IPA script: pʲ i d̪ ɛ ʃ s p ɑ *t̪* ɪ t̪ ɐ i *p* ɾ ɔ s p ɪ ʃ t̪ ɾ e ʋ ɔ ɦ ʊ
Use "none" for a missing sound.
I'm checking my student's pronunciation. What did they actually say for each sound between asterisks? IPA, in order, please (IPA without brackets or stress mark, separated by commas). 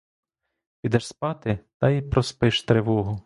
t̪, p